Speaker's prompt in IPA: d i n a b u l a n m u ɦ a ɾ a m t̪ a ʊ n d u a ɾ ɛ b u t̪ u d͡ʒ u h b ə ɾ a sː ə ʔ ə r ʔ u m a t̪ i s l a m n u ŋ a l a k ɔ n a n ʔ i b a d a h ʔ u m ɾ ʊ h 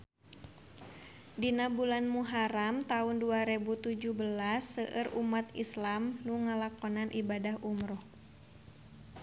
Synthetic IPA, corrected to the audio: d i n a b u l a n m u ɦ a ɾ a m t̪ a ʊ n d u a ɾ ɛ b u t̪ u d͡ʒ u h b ə l a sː ə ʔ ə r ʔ u m a t̪ i s l a m n u ŋ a l a k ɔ n a n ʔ i b a d a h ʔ u m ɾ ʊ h